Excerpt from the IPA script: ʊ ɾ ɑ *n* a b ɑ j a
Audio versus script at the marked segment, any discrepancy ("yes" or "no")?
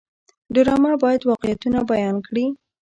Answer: yes